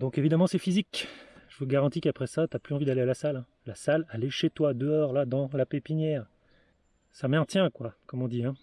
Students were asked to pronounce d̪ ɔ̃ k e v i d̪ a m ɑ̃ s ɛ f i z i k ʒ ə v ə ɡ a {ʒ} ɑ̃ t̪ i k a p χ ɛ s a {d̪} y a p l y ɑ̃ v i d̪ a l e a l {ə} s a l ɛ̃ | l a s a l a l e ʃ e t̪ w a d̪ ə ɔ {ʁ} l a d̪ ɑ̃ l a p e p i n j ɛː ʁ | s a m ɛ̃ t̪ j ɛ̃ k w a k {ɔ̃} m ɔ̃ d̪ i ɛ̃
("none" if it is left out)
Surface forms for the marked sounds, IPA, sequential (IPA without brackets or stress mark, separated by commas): ʁ, t̪, a, ʁ, ɔ